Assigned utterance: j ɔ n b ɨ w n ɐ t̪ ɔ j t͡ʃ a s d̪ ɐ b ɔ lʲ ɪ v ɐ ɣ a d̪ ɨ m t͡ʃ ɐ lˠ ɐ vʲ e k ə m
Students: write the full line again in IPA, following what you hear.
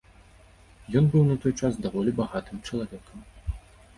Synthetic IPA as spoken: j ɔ n b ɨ w n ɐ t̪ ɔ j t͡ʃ a s d̪ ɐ v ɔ lʲ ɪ b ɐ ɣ a t̪ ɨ m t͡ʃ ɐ lˠ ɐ vʲ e k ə m